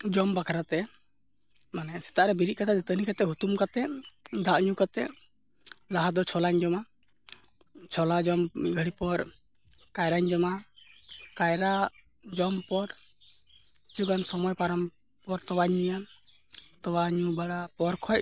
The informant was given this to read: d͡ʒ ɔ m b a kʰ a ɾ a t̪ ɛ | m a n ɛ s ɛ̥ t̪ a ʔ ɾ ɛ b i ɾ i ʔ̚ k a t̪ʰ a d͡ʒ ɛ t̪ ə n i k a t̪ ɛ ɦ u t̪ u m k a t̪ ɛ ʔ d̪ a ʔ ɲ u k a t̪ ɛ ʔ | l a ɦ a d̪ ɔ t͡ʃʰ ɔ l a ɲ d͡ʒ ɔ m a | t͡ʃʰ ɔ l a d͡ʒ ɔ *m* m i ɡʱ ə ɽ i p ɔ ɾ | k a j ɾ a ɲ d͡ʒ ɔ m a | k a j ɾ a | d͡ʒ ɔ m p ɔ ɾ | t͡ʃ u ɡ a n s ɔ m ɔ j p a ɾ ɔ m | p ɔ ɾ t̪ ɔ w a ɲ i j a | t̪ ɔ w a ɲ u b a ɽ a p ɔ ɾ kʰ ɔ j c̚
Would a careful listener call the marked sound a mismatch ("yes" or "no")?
no